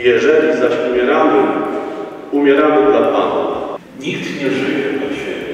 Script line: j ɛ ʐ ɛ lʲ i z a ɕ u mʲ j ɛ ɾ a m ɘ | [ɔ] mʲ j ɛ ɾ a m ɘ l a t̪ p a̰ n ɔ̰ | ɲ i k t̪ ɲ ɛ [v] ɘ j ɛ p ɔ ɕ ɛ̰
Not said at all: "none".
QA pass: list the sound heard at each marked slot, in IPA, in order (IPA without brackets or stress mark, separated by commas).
u, ʐ